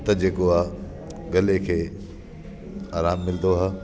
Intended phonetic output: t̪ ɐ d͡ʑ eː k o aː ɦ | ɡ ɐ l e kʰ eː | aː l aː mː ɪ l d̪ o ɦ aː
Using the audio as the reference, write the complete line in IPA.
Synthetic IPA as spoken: t̪ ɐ d͡ʑ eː k o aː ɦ | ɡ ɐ l e kʰ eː | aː ɾ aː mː ɪ l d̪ o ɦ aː